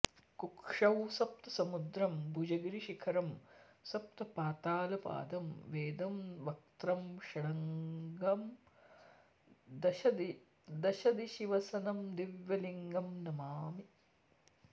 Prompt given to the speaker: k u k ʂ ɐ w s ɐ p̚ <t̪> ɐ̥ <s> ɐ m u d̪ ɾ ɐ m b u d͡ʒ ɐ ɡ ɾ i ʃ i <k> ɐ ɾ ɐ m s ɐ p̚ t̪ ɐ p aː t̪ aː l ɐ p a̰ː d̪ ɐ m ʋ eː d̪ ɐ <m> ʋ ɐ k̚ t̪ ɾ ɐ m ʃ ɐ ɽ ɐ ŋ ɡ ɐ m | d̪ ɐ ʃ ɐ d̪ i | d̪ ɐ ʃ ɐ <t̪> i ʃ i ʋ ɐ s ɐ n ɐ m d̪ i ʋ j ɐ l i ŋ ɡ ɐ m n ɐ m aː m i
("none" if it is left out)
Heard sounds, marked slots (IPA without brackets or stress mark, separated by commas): t̪, s, kʰ, m, d̪